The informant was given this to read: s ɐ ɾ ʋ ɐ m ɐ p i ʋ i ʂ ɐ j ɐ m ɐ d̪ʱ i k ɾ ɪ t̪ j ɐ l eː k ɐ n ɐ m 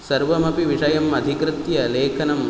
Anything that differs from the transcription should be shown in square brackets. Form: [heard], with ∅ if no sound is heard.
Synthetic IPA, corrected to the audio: s ɐ ɾ ʋ ɐ m ɐ p i ʋ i ʂ ɐ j ɐ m ɐ d̪ʱ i k ɾ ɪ t̪ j ɐ l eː [kʰ] ɐ n ɐ m